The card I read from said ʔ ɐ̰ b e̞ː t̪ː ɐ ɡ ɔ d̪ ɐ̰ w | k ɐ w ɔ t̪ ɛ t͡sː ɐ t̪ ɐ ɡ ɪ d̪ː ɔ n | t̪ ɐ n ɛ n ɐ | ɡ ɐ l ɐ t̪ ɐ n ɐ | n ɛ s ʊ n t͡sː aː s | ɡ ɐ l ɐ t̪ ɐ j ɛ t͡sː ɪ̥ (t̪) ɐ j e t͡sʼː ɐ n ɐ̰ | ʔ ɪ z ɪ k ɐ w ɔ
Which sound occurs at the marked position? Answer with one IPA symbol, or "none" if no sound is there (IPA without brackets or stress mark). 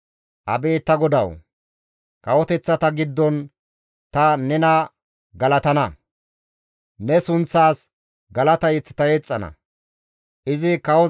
t̪